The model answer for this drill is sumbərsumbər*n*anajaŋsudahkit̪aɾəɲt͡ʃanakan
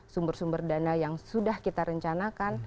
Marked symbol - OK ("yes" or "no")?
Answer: no